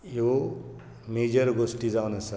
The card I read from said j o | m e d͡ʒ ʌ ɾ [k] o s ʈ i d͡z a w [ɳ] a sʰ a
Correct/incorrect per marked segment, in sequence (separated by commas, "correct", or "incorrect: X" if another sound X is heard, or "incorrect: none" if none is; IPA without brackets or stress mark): incorrect: ɡ, incorrect: n